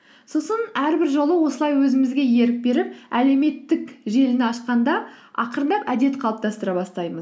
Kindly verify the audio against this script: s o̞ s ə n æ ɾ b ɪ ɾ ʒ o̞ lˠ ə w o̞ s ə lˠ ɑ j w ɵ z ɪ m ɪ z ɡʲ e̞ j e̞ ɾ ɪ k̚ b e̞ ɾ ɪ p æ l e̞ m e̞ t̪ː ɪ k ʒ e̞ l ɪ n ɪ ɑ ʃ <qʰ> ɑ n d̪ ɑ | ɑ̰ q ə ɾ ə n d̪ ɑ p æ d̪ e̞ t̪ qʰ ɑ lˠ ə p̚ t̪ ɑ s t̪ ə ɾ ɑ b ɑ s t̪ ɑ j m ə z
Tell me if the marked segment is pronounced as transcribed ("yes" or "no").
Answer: no